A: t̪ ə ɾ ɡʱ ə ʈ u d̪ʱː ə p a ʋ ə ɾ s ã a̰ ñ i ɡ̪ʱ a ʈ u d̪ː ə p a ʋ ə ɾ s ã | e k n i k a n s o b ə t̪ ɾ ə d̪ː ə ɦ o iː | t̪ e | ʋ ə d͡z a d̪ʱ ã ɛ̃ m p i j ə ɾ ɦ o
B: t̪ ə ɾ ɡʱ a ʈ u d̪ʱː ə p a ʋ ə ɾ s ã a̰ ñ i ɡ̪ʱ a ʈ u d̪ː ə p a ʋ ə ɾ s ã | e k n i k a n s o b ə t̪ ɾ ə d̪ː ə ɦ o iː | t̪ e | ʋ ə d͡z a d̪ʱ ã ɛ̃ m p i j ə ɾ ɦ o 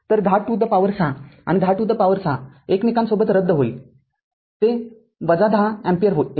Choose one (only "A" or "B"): B